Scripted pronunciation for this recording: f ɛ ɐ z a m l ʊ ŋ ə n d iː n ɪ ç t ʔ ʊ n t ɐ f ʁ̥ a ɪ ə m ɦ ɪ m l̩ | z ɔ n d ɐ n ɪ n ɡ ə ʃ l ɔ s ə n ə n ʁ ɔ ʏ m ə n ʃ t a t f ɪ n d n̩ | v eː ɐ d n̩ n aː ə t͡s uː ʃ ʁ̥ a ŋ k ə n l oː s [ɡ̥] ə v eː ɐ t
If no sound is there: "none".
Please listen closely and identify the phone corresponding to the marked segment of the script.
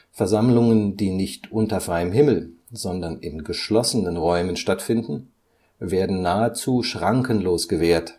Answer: ɡ̥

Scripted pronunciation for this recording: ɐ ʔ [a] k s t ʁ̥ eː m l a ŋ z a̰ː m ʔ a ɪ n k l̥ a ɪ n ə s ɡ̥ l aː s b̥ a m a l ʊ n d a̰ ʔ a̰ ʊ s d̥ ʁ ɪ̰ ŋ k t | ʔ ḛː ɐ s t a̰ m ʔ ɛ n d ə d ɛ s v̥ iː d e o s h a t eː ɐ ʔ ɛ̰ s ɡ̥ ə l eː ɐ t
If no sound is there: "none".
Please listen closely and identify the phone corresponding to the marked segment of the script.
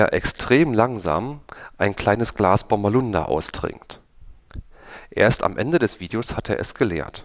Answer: ɛ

